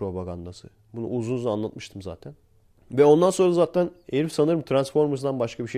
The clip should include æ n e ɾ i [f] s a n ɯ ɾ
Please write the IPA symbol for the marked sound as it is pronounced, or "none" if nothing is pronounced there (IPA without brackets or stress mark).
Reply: f